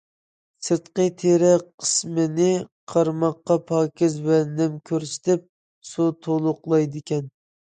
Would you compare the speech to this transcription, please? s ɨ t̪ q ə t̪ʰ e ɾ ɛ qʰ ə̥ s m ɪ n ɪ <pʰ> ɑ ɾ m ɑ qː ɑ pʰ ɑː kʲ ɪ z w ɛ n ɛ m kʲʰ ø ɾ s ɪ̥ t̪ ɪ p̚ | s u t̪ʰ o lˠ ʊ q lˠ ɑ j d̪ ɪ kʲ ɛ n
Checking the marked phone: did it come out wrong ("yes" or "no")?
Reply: yes